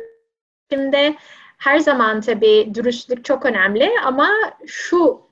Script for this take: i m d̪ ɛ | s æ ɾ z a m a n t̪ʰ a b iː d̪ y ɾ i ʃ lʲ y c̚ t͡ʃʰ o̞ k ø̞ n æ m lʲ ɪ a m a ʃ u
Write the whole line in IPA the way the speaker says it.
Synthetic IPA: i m d̪ ɛ | h æ ɾ z a m a n t̪ʰ a b iː d̪ y ɾ y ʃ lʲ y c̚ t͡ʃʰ o̞ k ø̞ n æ m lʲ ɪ a m a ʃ u